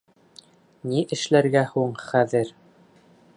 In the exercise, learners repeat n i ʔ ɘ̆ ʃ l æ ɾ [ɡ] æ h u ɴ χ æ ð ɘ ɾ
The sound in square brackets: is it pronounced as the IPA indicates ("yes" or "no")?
yes